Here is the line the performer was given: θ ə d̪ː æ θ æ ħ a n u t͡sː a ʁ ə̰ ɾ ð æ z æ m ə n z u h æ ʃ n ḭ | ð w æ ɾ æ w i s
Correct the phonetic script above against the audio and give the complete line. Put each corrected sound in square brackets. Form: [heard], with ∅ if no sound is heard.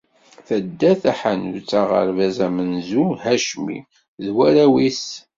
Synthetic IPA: θ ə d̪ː æ θ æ ħ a n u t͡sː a ʁ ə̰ ɾ [v] æ z æ m ə n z u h æ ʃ [m] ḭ | ð w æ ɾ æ w i s